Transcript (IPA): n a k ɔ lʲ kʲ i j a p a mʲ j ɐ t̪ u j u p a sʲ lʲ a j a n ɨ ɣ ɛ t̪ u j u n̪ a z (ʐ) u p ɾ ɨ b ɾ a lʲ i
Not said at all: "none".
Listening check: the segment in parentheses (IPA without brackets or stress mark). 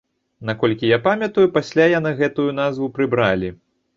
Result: v